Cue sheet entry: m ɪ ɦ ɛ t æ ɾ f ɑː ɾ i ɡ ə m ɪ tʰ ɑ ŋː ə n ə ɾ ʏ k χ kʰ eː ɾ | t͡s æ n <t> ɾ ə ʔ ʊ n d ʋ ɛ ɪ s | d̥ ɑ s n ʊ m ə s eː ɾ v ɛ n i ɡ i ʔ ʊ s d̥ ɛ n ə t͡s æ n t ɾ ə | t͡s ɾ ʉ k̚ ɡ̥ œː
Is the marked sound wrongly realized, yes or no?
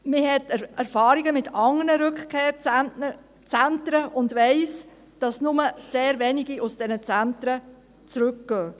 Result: no